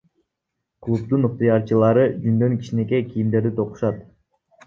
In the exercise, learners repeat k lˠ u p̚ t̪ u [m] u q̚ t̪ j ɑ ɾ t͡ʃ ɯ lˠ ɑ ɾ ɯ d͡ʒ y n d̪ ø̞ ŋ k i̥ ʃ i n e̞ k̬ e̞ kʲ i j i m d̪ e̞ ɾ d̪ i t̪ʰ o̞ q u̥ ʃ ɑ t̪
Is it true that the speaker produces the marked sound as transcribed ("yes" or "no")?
no